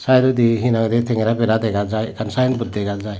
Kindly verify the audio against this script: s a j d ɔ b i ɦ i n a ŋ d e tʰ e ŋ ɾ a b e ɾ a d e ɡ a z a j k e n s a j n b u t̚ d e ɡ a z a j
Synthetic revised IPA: s a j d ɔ d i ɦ i n a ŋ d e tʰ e ŋ ɾ a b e ɾ a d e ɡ a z a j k a n s a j n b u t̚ d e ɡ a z a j